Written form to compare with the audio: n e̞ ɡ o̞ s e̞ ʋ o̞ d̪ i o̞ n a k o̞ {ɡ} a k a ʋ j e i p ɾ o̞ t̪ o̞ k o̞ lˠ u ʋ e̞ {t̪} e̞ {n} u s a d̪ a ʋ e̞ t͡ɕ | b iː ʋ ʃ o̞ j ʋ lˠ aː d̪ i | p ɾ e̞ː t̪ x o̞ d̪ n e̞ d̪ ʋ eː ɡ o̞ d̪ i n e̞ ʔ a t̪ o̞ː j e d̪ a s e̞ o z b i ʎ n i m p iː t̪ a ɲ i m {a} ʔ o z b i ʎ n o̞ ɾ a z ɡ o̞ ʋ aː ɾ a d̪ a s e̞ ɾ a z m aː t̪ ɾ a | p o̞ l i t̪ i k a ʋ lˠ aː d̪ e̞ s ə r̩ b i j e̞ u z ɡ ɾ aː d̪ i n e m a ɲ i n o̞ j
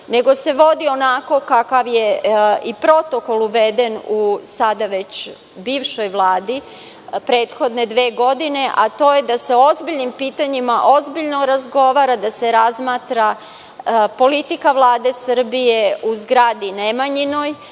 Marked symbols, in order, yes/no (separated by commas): no, no, yes, yes